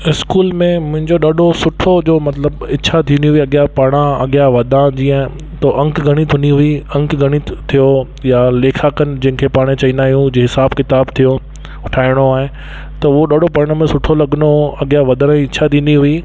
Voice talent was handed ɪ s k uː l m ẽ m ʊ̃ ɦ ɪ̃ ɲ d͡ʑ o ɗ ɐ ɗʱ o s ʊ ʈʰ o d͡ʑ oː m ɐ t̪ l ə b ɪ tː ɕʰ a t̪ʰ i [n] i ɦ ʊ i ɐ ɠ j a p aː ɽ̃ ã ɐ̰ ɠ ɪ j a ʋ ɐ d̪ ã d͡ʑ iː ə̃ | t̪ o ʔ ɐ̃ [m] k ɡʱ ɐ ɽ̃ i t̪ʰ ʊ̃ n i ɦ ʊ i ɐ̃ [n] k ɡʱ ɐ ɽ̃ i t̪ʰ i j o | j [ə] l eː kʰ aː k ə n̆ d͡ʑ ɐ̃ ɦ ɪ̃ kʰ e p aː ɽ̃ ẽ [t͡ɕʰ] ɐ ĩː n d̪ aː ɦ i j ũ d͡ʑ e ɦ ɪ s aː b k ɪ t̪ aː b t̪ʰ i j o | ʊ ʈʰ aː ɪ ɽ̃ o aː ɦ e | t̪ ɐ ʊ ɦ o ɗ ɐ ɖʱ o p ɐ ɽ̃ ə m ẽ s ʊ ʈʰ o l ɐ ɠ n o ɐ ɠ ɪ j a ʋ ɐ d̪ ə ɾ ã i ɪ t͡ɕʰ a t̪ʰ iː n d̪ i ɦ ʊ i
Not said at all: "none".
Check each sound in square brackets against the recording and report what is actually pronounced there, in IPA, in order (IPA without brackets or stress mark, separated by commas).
n, ŋ, ŋ, a, t͡ɕ